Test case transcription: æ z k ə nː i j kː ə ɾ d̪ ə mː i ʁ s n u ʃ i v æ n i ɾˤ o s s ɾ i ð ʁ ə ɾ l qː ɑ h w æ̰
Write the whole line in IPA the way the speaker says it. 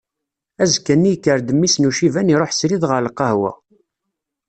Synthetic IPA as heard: æ z k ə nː i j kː ə ɾ d̪ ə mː i s n u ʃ i v æ n i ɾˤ o ħ s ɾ i ð ʁ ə ɾ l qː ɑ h w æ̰